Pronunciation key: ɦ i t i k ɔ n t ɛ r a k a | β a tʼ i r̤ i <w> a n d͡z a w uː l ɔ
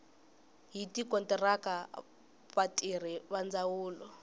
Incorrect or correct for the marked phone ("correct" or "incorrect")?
incorrect